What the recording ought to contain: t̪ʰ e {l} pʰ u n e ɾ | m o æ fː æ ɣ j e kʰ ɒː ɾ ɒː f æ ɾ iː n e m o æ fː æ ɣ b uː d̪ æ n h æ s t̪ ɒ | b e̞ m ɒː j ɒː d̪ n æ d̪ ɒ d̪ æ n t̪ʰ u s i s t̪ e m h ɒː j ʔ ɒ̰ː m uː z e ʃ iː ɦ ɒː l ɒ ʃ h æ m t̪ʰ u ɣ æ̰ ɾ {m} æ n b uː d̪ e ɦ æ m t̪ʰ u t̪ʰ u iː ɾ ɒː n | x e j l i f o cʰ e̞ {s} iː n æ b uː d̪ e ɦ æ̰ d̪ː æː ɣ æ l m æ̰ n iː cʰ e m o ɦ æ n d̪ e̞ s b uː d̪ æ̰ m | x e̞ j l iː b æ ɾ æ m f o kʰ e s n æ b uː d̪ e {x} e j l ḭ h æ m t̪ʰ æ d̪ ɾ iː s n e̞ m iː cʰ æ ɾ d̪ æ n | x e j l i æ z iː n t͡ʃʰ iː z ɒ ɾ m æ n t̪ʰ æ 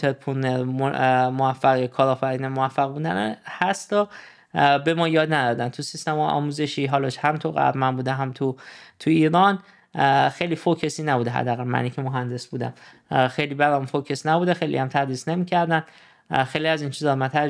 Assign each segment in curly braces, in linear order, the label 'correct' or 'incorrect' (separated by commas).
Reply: incorrect, correct, correct, correct